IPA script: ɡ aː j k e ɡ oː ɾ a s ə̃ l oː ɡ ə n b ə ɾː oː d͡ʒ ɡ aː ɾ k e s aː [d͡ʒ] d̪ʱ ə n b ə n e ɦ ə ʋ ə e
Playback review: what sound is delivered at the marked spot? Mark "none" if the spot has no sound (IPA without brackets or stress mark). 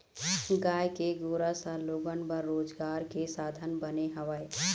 none